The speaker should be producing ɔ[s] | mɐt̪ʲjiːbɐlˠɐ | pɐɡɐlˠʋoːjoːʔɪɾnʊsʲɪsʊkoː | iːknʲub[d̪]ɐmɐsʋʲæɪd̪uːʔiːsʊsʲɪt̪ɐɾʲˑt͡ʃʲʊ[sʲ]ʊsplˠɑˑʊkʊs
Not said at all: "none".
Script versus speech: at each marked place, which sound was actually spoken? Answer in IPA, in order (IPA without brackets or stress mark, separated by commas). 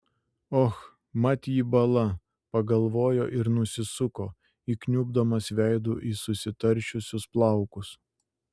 x, d̪, sʲ